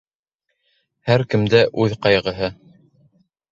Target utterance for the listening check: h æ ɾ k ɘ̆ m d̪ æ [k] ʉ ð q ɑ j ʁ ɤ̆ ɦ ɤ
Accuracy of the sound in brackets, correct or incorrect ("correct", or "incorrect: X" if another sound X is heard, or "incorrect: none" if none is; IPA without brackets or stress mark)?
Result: incorrect: ʔ